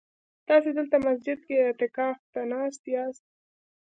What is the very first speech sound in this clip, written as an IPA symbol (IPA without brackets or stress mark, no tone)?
t̪